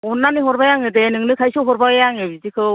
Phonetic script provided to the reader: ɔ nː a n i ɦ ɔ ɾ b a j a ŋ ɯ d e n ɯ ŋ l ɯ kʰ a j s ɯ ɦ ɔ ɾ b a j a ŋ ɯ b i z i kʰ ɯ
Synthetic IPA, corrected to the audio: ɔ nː a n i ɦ ɔ ɾ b a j a ŋ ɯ d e n ɯ ŋ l ɯ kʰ a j s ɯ ɦ ɔ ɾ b a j a ŋ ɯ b i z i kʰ ɯ